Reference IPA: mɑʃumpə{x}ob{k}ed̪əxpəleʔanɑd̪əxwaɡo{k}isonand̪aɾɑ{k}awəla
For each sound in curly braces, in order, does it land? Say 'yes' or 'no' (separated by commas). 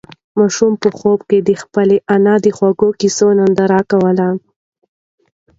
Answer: yes, yes, yes, yes